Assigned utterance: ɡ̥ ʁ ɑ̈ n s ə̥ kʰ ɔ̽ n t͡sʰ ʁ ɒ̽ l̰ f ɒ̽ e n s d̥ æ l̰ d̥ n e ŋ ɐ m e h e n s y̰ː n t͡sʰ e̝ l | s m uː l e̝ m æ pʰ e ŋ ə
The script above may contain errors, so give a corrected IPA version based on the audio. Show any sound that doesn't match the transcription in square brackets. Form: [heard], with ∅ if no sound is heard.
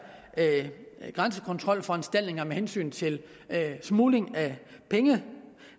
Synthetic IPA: ɡ̥ ʁ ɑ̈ n s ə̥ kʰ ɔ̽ n t͡sʰ ʁ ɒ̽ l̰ f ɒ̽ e n s d̥ æ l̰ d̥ n e ŋ ɐ m e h e n s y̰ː n t͡sʰ e̝ l | s m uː l e̝ [ŋ] æ pʰ e ŋ ə